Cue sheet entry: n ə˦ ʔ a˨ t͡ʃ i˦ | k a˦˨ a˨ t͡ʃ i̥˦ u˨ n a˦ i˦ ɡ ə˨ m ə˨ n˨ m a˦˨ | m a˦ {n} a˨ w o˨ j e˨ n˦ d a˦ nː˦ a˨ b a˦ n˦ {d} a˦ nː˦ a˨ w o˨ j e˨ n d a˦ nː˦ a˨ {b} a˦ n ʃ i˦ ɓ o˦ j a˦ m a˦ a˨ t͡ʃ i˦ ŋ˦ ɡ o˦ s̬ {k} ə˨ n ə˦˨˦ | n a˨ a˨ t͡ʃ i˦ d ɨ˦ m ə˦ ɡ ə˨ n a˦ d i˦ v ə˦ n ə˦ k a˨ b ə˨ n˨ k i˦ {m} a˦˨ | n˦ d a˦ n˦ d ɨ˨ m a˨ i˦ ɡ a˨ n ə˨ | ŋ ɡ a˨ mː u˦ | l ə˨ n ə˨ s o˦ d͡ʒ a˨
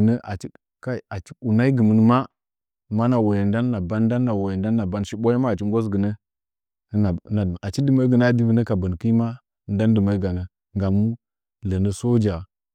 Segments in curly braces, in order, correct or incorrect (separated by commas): correct, correct, correct, incorrect, correct